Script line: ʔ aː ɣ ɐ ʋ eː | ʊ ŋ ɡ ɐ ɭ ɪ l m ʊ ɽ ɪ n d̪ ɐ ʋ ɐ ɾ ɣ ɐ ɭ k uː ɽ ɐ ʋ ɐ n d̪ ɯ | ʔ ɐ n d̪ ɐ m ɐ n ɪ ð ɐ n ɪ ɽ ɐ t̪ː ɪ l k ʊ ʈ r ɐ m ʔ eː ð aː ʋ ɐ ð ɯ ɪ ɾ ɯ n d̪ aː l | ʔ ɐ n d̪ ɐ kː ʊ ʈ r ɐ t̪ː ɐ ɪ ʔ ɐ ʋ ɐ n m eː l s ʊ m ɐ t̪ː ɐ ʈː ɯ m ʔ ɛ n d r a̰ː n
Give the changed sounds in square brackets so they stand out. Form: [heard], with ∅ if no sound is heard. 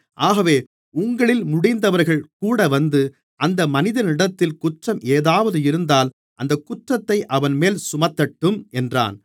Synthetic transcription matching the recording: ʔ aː ɣ ɐ ʋ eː | ʊ ŋ ɡ ɐ ɭ ɪ l m ʊ ɽ ɪ n d̪ ɐ ʋ ɐ ɾ ɣ ɐ ɭ k uː ɽ ɐ ʋ ɐ n d̪ ɯ | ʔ ɐ n d̪ ɐ m ɐ n ɪ ð ɐ n ɪ ɽ ɐ t̪ː ɪ l k ʊ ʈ r ɐ m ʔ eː ð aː ʋ ɐ ð ɯ ɪ ɾ ɯ n d̪ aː l | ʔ ɐ n d̪ ɐ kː ʊ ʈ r ɐ t̪ː ɐ ɪ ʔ ɐ ʋ ɐ n m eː l s ʊ m ɐ t̪ː ɐ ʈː ɯ m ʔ ɛ n d r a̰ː n